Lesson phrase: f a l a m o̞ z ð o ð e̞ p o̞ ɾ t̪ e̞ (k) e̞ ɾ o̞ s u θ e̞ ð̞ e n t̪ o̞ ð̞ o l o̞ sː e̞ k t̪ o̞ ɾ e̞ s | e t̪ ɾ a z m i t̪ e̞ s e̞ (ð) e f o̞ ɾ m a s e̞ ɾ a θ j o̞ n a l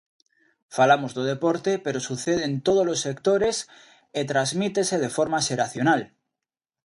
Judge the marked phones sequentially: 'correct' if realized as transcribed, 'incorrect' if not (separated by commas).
incorrect, correct